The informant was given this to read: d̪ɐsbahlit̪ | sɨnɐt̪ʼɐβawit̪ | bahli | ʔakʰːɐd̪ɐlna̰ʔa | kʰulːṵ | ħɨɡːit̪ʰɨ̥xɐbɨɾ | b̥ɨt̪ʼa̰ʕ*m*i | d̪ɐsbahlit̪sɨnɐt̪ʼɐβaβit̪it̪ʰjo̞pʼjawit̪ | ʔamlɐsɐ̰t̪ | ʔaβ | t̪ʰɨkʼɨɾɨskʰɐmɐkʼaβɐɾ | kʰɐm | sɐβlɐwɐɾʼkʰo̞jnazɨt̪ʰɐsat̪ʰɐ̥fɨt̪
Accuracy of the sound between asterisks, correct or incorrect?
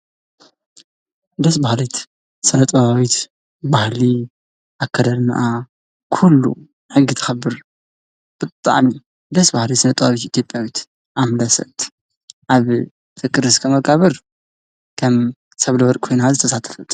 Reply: incorrect